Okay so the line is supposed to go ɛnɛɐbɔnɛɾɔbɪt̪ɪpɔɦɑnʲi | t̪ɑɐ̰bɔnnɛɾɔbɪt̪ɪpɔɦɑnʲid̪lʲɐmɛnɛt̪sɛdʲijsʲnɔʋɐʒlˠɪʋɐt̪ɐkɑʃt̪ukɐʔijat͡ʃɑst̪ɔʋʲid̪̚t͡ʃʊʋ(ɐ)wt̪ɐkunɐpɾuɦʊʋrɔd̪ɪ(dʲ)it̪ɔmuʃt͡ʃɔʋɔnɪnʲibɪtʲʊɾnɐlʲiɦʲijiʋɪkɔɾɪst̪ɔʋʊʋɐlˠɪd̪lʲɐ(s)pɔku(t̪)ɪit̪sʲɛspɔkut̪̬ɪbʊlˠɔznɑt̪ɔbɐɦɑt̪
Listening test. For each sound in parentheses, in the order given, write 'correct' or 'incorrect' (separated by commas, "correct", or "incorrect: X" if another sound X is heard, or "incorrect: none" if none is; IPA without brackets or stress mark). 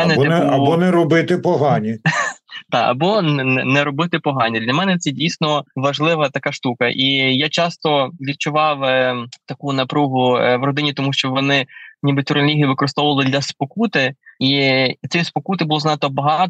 incorrect: ɑ, incorrect: nʲ, correct, correct